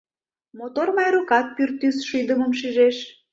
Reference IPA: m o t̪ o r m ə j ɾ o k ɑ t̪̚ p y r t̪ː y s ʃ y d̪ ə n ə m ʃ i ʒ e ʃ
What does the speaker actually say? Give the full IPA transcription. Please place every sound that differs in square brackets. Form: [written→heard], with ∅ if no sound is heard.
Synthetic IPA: m o t̪ o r m [ə→ɑ] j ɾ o k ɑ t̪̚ p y r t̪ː y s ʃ y d̪ ə [n→m] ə m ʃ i ʒ e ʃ